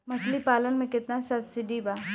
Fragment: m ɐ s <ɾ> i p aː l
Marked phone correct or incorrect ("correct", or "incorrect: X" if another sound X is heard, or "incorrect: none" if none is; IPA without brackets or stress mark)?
incorrect: l